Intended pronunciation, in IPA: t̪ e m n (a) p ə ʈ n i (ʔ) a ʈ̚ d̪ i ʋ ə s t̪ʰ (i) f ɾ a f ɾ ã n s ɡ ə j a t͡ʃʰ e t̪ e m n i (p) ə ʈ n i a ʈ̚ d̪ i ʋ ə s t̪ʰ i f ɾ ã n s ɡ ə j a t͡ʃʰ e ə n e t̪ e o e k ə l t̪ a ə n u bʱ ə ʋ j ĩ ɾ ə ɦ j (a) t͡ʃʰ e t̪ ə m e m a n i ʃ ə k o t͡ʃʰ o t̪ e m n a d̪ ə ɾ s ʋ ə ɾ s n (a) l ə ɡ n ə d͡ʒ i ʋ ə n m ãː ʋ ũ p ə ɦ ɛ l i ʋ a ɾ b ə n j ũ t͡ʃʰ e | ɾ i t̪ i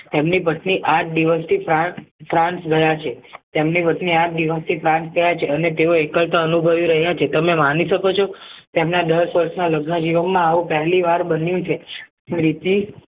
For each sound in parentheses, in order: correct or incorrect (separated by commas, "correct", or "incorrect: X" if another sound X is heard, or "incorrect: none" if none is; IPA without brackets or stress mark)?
incorrect: i, correct, correct, correct, correct, correct